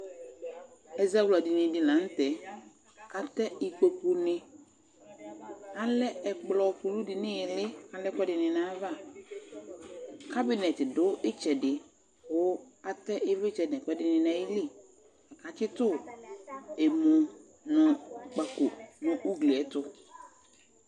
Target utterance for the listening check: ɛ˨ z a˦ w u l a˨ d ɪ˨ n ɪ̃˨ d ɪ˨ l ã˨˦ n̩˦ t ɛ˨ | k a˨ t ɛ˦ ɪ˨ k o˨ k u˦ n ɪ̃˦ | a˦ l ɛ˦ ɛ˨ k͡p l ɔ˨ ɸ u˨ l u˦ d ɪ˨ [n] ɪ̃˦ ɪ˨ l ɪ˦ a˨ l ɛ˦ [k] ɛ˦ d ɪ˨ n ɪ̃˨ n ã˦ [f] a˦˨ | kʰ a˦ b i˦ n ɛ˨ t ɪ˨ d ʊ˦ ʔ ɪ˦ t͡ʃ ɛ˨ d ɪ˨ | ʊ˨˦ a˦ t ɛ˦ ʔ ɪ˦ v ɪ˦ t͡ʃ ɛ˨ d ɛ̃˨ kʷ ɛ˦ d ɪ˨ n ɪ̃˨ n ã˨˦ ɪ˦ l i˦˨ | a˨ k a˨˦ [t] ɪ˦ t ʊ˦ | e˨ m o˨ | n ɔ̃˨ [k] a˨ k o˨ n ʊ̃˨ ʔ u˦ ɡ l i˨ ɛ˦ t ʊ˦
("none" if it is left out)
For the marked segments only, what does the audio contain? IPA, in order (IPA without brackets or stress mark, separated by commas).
n, k, v, t͡ʃ, k͡p